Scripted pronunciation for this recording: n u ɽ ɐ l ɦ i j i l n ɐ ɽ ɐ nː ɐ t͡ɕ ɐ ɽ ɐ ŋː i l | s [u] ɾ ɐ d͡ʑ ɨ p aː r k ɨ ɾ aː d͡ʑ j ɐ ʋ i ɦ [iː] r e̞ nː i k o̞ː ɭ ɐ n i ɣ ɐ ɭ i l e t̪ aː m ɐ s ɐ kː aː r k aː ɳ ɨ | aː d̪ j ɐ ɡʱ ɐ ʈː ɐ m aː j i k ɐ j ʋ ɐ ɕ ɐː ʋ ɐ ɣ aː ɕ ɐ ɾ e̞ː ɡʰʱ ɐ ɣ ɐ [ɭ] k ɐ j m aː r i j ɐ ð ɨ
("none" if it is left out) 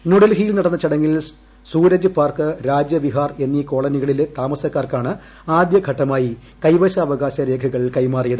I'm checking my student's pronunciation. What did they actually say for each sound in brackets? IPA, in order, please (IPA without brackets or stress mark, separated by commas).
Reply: uː, aː, ɭ